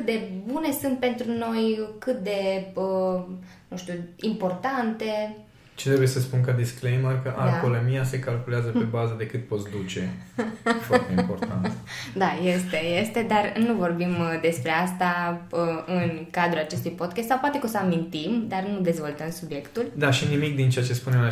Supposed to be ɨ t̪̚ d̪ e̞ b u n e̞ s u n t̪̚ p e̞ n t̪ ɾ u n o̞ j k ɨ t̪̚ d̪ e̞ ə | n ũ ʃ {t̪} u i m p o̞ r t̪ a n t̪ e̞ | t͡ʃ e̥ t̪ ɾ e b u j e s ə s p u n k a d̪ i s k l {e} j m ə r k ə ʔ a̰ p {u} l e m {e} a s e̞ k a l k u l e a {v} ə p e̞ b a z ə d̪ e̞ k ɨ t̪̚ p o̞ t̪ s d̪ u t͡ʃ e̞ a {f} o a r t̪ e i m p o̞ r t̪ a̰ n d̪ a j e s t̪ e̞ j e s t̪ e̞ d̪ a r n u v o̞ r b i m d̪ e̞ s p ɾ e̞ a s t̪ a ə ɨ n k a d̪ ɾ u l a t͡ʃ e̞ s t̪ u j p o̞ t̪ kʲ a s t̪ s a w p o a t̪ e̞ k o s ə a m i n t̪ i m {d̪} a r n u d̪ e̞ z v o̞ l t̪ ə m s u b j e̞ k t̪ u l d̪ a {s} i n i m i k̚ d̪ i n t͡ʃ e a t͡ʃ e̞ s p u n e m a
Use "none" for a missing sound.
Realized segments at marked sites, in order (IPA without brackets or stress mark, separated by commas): t̪, e, o, i, z, f, d̪, ʃ